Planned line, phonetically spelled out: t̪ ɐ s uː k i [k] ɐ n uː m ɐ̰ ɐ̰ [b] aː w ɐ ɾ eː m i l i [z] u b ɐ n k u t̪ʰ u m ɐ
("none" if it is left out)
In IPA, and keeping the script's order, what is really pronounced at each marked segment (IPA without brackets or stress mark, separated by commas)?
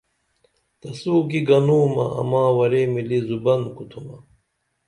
ɡ, m, z